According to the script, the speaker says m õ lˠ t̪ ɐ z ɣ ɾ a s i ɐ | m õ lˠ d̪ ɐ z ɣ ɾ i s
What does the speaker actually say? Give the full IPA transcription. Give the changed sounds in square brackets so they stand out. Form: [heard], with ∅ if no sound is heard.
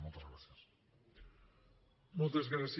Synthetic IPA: m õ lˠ t̪ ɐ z ɣ ɾ a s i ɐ | m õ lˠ [t̪] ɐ z ɣ ɾ [a] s